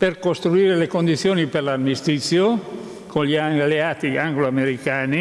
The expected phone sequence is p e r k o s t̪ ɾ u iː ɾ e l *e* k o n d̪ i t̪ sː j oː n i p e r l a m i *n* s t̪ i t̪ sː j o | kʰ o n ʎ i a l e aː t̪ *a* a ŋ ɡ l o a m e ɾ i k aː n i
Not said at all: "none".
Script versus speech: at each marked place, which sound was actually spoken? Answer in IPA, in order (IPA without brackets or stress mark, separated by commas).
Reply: e, none, i